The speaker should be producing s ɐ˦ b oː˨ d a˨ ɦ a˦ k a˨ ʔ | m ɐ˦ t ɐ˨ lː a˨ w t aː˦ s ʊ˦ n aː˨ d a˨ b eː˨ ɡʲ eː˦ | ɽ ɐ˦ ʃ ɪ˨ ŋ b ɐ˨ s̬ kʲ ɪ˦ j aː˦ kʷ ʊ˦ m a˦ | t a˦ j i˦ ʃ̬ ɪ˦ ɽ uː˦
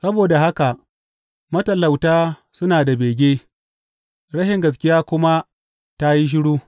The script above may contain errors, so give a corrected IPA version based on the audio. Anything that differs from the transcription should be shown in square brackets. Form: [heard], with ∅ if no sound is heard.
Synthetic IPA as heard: s ɐ˦ b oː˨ d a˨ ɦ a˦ k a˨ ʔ | m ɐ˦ t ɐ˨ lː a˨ w t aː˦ s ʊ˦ n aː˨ d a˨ b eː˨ ɡʲ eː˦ | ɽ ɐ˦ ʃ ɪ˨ ŋ [ɡ] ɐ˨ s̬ kʲ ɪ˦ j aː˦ kʷ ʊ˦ m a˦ | t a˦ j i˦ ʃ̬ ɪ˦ ɽ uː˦